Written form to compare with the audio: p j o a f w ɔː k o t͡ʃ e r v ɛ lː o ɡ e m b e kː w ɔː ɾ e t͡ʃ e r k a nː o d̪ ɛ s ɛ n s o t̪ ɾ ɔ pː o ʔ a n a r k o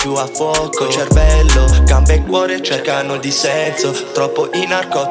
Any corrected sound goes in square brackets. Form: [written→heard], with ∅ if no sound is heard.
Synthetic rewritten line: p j [o→u] a f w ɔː k o t͡ʃ e r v ɛ lː o ɡ [e→a] m b e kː w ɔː ɾ e t͡ʃ e r k a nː o d̪ [ɛ→i] s ɛ n s o t̪ ɾ ɔ pː o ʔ [a→i] n a r k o